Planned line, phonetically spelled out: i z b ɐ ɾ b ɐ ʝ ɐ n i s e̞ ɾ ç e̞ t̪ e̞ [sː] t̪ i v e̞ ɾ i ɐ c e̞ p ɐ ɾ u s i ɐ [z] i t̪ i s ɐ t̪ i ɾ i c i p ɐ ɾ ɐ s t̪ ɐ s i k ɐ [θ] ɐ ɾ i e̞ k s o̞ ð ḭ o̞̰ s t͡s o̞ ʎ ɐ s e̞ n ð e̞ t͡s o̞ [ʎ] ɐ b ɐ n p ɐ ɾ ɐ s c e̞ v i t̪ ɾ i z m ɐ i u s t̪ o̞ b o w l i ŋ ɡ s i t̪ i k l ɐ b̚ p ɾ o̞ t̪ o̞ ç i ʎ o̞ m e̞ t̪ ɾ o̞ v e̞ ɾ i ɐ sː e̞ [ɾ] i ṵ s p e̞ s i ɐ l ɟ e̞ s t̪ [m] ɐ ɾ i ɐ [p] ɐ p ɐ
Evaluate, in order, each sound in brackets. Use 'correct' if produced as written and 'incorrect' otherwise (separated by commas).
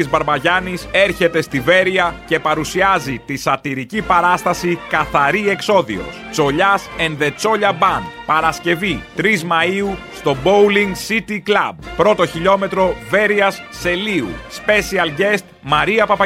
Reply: incorrect, correct, correct, correct, incorrect, correct, correct